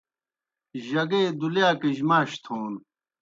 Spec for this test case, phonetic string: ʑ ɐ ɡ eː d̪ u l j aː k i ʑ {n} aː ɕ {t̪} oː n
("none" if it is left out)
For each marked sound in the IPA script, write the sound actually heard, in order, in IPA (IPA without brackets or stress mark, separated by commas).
m, t̪ʰ